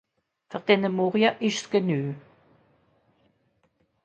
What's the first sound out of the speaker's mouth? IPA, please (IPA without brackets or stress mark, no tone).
f